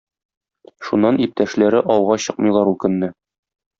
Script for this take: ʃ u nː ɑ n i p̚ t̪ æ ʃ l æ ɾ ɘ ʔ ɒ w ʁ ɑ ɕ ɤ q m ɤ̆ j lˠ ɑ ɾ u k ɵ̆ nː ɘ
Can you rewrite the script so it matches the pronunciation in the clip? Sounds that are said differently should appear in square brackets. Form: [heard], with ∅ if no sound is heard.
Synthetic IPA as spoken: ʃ u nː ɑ n i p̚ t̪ æ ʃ l æ ɾ ɘ ʔ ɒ w ʁ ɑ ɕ ɤ q m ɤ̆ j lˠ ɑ ɾ u k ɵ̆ nː ɘ